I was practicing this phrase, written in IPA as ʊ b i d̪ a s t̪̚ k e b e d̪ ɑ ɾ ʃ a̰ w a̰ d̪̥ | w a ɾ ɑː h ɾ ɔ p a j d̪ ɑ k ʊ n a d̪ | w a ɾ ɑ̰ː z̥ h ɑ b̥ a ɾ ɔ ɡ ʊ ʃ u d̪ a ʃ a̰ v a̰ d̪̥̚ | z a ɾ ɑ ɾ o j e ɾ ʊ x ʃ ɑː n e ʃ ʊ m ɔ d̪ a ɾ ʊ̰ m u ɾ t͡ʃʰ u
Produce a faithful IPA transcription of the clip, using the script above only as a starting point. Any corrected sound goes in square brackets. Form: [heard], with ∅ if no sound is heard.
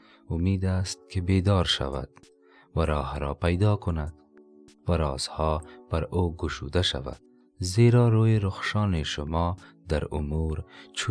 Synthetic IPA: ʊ [m] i d̪ a s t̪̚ k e b e d̪ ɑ ɾ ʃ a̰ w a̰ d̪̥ | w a ɾ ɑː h ɾ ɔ p a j d̪ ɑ k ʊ n a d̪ | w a ɾ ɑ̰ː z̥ h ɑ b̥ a ɾ [o] ɡ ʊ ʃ u d̪ a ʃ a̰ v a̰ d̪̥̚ | z [e] ɾ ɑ ɾ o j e ɾ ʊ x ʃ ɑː n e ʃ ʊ m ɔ d̪ a ɾ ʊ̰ m u ɾ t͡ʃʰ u